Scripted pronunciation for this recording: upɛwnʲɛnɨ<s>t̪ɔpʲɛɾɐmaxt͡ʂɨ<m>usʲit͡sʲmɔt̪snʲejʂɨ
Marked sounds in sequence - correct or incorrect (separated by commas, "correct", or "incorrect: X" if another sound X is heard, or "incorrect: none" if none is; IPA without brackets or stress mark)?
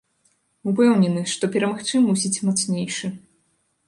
incorrect: ʂ, correct